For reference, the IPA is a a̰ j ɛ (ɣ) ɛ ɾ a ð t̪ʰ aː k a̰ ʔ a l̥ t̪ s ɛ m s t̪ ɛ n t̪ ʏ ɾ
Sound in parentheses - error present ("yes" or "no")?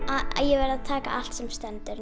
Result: yes